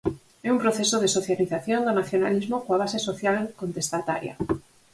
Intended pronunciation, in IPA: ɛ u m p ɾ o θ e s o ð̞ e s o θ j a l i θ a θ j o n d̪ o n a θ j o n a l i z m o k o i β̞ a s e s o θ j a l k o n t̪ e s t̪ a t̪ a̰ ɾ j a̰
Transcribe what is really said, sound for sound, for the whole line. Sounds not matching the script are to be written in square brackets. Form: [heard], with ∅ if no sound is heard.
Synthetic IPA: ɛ u m p ɾ o θ e s o ð̞ e s o θ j a l i θ a θ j o n d̪ o n a θ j o n a l i z m o k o [a] β̞ a s e s o θ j a l k o n t̪ e s t̪ a t̪ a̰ ɾ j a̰